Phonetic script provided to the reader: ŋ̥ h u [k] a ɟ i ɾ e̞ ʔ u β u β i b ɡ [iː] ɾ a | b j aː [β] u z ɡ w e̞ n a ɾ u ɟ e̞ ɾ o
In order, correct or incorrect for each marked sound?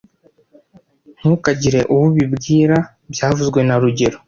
correct, correct, incorrect

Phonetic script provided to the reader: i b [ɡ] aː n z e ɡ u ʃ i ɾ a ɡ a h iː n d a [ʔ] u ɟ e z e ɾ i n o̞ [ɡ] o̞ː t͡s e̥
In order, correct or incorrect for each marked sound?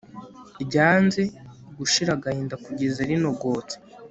incorrect, incorrect, correct

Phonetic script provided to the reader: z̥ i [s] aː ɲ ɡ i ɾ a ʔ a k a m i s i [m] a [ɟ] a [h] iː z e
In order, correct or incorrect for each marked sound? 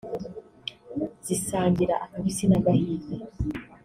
correct, incorrect, incorrect, correct

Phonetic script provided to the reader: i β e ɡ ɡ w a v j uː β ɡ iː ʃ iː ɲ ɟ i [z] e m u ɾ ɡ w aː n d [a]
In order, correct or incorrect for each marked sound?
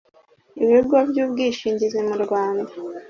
correct, correct

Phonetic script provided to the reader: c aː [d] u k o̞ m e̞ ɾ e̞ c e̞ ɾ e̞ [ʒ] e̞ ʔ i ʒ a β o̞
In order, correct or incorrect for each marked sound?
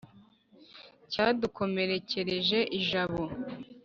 correct, correct

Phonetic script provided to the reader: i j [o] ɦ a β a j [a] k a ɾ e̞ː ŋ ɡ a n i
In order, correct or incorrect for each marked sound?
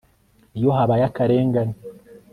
correct, correct

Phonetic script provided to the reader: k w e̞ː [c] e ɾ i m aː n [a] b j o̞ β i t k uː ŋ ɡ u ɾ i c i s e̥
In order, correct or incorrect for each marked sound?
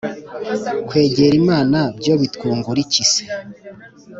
incorrect, correct

